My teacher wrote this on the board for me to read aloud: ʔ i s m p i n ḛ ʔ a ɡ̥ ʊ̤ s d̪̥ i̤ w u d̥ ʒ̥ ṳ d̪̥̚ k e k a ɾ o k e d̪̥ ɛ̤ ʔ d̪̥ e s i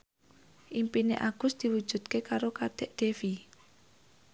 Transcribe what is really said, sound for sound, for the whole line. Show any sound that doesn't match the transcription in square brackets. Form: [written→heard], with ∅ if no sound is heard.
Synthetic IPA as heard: ʔ i [s→∅] m p i n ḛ ʔ a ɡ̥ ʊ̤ s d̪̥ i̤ w u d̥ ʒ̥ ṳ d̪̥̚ k e k a ɾ o k [e→a] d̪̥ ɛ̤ ʔ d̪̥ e [s→f] i